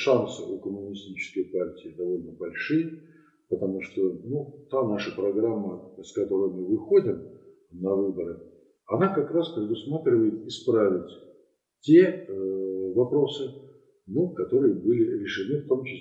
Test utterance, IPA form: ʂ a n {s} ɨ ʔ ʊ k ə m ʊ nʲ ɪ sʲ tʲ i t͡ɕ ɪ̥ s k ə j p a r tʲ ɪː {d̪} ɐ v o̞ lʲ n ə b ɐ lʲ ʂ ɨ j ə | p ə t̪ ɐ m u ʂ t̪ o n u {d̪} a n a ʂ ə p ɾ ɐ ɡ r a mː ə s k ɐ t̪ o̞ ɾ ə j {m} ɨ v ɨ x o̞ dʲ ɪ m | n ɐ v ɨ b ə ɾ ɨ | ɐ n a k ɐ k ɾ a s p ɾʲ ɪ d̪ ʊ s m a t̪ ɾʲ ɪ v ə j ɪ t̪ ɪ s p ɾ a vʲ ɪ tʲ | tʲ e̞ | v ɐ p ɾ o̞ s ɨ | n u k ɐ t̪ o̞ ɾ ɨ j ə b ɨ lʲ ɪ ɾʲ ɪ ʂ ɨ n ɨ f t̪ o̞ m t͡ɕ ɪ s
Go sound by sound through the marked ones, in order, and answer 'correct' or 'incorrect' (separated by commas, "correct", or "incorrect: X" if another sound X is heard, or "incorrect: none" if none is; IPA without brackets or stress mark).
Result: correct, correct, incorrect: t̪, correct